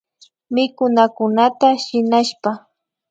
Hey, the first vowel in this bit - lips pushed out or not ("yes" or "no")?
no